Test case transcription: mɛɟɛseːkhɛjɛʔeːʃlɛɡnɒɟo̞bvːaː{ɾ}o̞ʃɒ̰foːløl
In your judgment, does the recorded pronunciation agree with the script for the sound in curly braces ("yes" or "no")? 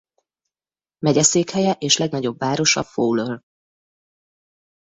yes